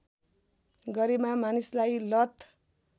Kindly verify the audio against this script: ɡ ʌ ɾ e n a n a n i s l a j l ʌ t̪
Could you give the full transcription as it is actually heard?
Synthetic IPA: ɡ ʌ ɾ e m a m a n i s l a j l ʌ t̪